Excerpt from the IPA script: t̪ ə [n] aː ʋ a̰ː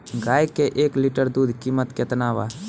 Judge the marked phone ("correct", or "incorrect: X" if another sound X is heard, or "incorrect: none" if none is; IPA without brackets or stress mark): correct